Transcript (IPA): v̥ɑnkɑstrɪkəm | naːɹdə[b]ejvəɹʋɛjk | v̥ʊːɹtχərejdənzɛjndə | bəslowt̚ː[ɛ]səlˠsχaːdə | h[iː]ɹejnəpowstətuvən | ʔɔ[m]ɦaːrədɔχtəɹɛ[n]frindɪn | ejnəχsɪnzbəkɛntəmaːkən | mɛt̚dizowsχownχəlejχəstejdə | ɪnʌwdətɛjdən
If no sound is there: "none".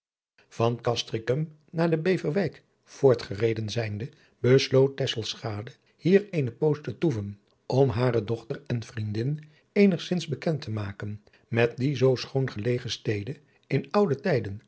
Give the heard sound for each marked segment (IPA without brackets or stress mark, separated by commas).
b, ɛ, iː, m, n